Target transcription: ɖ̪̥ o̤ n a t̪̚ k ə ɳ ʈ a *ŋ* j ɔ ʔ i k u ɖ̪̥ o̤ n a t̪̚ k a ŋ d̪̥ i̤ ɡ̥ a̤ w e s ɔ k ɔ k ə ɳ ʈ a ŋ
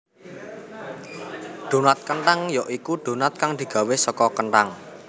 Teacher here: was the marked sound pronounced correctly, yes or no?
yes